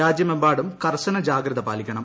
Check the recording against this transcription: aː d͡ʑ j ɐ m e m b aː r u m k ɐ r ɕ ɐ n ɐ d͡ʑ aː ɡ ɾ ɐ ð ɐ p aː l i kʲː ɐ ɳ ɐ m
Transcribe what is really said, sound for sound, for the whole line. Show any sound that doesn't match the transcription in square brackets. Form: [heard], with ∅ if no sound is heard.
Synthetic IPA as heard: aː d͡ʑ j ɐ m e m b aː [ɽ] u m k ɐ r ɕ ɐ n ɐ d͡ʑ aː ɡ ɾ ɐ ð ɐ p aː l i kʲː ɐ ɳ ɐ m